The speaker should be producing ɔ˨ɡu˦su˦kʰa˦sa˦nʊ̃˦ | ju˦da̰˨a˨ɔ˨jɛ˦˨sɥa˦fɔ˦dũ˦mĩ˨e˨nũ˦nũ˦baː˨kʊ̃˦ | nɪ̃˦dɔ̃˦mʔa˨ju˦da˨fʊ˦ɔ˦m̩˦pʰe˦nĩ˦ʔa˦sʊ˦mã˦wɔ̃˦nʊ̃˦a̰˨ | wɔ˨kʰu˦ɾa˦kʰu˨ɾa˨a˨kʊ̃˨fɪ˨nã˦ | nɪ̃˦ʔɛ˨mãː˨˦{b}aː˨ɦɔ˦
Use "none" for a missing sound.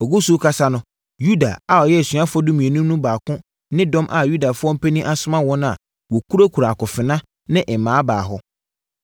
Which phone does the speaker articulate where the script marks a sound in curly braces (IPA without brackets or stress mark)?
b